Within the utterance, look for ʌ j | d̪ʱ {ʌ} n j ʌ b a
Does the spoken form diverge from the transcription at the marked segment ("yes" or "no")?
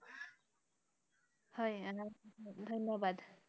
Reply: no